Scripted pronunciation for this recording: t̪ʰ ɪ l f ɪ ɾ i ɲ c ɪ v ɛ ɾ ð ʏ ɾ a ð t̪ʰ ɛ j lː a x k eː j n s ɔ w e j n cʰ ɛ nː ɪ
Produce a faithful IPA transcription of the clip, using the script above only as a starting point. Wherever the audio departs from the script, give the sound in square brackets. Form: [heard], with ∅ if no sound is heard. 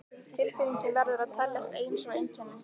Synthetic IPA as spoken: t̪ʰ ɪ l f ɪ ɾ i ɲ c ɪ v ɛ ɾ ð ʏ ɾ a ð t̪ʰ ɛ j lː [ɛ] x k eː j n s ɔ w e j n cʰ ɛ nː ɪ